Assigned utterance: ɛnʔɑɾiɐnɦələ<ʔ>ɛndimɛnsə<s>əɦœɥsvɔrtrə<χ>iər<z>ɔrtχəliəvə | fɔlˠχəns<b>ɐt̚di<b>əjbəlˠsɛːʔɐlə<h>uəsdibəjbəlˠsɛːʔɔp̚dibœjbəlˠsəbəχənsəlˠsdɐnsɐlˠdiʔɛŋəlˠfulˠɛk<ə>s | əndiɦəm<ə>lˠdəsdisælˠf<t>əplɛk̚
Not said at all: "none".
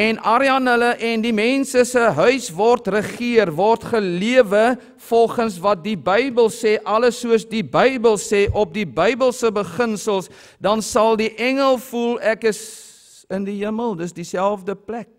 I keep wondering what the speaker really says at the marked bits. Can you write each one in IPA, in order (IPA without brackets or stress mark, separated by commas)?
ʔ, s, χ, v, v, b, s, ə, ə, d